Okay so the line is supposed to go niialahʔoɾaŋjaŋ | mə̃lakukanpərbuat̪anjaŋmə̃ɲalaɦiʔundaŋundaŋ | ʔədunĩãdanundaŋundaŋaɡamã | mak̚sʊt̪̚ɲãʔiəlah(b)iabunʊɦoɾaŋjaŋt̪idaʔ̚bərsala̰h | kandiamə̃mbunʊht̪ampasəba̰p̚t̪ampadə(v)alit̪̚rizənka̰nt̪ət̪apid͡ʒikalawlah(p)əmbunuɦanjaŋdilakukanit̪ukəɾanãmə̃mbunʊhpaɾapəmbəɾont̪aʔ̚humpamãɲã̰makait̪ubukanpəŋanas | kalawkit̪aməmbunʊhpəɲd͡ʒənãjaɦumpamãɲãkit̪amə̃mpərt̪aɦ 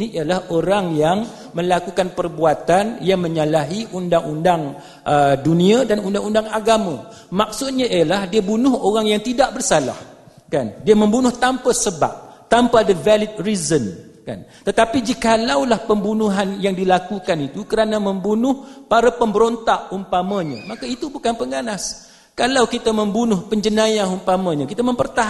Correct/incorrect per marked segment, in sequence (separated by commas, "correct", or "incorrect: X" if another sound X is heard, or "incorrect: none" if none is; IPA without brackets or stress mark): incorrect: d, correct, correct